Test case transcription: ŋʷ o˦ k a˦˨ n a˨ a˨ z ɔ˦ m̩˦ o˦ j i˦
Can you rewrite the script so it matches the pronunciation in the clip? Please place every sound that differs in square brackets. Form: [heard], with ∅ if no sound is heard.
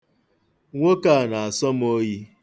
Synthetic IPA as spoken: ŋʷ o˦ k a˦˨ n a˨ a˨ [s] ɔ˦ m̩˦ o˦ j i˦